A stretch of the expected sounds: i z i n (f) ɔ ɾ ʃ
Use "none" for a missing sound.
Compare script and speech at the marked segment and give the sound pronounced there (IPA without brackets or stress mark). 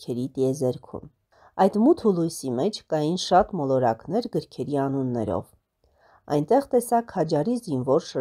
v